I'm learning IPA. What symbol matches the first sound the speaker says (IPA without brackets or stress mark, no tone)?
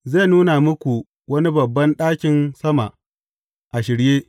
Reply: z